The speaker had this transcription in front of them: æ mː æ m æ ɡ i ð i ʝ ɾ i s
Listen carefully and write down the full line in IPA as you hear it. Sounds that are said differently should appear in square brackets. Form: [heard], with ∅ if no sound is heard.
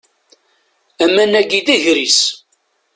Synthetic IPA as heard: æ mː æ [n] æ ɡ i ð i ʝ ɾ i s